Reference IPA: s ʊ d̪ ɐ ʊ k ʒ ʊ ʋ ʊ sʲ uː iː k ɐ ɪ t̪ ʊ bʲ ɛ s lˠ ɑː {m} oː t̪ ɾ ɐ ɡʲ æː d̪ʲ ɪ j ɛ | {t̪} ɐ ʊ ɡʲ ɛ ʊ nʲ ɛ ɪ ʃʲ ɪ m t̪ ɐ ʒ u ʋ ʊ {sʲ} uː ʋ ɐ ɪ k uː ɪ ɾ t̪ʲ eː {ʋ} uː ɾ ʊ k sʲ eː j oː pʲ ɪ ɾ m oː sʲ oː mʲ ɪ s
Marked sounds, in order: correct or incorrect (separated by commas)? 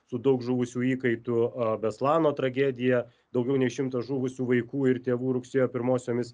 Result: incorrect, incorrect, correct, correct